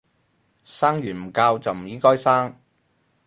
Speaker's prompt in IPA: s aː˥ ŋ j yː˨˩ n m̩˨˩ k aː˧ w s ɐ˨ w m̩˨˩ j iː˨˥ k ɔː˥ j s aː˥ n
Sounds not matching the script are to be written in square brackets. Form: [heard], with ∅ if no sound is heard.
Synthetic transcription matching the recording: s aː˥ ŋ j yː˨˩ n m̩˨˩ k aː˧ w [t͡s] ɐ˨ w m̩˨˩ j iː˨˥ k ɔː˥ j s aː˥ [ŋ]